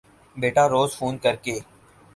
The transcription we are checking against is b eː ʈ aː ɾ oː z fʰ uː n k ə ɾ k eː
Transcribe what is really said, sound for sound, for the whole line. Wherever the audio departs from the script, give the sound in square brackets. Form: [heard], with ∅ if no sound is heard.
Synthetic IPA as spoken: b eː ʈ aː ɾ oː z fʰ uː n k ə ɾ k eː